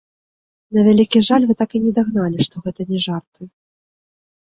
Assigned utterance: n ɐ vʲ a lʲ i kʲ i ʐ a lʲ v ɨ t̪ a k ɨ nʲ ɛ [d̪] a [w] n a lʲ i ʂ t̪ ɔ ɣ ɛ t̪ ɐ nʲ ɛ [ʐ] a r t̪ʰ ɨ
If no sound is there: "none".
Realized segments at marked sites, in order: d̪, ɣ, ʐ

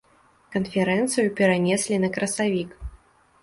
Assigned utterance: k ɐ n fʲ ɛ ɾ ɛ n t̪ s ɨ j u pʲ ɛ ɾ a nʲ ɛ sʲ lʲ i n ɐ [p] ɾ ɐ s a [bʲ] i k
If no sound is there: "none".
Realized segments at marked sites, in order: k, vʲ

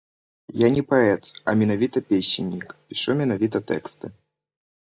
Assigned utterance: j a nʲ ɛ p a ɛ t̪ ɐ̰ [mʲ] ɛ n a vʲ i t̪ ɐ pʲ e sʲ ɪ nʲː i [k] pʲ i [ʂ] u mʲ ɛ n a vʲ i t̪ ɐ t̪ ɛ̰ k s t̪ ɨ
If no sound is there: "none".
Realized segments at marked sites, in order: mʲ, k, ʂ

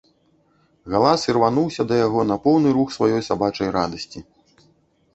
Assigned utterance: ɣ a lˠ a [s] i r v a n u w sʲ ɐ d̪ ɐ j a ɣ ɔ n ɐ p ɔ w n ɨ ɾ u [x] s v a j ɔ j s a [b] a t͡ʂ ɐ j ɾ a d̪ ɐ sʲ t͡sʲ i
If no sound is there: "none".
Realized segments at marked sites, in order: s, x, b

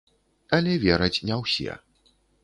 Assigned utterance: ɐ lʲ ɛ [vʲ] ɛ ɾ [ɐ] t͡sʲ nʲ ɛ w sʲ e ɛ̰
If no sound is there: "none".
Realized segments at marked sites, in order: vʲ, ɐ

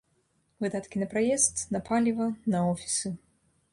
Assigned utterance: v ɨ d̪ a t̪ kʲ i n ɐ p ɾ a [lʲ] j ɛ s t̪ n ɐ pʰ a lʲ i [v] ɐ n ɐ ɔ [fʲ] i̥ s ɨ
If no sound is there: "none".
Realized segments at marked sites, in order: none, v, fʲ

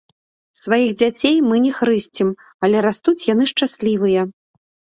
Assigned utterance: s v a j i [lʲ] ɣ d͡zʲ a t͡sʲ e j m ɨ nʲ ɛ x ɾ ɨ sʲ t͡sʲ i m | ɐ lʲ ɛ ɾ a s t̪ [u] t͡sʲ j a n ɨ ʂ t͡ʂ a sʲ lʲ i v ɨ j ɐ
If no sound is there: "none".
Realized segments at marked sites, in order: none, u

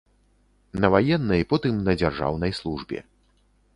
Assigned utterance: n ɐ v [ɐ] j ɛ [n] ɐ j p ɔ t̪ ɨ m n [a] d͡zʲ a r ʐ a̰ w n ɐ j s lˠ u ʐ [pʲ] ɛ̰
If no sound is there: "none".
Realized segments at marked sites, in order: a, nː, ɐ, bʲ

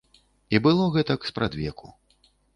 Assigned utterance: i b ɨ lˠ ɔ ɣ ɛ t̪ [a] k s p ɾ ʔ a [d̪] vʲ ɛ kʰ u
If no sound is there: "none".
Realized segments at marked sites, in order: ɐ, d̪

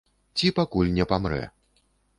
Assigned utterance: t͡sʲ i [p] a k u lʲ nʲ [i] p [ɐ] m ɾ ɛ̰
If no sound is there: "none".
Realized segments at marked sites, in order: p, ɛ, a

